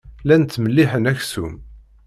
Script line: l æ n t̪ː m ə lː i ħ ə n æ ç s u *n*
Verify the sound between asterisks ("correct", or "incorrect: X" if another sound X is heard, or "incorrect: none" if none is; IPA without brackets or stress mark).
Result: incorrect: m